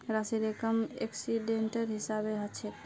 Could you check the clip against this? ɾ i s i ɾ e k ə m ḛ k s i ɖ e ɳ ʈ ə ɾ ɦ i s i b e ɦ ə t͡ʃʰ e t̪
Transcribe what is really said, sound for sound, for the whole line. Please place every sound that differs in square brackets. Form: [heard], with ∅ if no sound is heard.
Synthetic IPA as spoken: ɾ [a] s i ɾ e k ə m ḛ k s i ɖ e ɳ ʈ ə ɾ ɦ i s [a] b e ɦ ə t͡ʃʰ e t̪